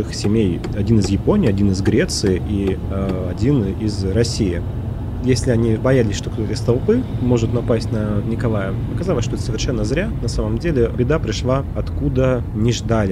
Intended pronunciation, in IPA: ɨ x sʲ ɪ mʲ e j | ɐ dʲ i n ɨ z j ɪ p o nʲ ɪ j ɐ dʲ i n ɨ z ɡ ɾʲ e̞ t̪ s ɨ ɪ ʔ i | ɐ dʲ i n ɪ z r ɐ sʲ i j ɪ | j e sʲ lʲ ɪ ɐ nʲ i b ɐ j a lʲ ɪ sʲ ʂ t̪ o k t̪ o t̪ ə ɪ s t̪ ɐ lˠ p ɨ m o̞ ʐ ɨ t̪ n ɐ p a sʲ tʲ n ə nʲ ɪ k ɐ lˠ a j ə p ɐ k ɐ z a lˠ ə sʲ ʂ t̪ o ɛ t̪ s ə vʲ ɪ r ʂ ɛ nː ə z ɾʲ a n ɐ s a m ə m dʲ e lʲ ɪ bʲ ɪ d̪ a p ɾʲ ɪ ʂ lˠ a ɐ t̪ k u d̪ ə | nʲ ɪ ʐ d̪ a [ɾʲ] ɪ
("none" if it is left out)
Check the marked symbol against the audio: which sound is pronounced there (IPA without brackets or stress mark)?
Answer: lʲ